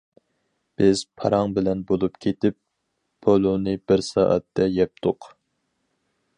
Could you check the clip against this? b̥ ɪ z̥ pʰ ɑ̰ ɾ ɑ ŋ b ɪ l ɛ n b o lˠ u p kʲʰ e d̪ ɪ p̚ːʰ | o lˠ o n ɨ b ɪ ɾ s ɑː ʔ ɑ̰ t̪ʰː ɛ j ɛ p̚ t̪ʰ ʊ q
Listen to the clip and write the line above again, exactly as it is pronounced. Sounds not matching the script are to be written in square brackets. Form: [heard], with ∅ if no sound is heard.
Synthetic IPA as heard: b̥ ɪ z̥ pʰ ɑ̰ ɾ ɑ ŋ b ɪ l ɛ n b o lˠ u p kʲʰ e [t̪] ɪ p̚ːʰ | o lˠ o n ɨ b ɪ ɾ s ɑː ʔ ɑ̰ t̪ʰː ɛ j ɛ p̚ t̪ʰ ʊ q

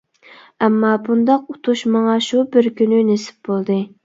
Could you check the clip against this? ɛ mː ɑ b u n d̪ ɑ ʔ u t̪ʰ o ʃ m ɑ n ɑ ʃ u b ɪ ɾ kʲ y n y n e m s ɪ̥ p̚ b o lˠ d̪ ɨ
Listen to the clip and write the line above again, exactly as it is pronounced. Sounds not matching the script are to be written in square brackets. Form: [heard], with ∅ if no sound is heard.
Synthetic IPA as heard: ɛ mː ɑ b u n d̪ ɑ [q] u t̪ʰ [u] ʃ m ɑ [ŋ] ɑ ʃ u b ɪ ɾ kʲ y n y n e [∅] s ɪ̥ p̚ b o lˠ d̪ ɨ

